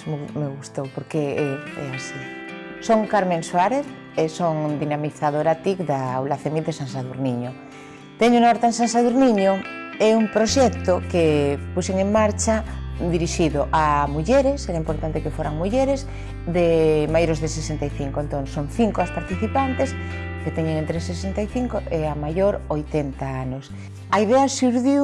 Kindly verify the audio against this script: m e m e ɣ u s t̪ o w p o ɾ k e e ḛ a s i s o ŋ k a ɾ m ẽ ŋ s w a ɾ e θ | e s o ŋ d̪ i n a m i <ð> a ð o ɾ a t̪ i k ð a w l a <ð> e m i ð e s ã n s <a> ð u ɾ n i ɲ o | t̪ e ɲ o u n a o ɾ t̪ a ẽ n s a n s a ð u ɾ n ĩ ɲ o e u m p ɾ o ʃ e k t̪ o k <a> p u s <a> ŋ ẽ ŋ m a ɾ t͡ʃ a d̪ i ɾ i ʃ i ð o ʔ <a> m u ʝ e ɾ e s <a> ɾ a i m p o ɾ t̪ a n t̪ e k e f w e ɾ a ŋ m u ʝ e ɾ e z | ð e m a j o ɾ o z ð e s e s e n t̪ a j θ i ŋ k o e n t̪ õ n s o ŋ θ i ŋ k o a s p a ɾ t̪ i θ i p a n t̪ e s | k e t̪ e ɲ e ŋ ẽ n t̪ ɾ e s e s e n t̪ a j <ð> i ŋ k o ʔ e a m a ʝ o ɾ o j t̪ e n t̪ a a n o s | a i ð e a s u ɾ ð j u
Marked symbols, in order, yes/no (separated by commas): no, no, yes, no, no, yes, no, no